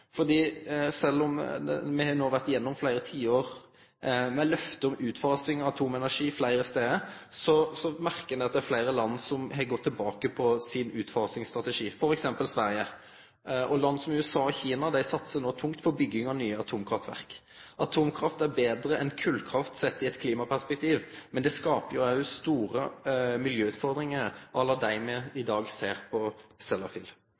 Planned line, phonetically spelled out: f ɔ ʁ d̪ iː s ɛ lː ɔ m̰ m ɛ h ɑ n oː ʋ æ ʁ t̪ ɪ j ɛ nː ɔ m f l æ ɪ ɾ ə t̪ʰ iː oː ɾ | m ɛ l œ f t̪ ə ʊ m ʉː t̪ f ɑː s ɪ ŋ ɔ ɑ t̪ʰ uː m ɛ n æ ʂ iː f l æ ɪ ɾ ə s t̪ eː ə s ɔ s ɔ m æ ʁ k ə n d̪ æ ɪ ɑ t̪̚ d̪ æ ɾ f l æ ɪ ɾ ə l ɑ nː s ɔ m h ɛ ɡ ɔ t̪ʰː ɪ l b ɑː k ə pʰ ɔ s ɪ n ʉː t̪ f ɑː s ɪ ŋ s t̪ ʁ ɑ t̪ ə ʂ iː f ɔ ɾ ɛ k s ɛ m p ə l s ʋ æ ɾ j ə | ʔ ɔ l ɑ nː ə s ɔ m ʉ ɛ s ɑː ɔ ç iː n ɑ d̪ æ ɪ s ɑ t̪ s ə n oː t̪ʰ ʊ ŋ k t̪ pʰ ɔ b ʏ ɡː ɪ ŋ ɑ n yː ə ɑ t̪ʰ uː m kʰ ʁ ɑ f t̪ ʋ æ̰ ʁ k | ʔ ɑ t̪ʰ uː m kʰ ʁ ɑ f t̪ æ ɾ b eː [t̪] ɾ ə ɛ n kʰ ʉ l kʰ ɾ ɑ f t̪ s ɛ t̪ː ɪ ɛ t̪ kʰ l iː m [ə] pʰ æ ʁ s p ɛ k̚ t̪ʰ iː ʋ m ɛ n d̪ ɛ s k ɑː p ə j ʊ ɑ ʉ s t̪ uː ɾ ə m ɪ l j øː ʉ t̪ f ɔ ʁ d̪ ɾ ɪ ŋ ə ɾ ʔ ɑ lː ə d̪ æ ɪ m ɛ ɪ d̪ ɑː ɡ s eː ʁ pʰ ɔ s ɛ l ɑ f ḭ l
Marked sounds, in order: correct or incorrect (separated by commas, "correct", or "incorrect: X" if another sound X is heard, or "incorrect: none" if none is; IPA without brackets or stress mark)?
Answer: incorrect: d̪, incorrect: ɑ